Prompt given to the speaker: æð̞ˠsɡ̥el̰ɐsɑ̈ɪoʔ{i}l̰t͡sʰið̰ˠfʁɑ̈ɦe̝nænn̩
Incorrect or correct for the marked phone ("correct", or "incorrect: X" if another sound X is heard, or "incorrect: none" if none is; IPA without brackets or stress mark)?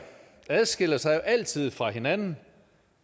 incorrect: æ